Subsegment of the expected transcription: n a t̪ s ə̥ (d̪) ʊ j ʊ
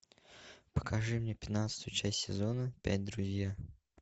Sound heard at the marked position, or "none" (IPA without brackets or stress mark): t̪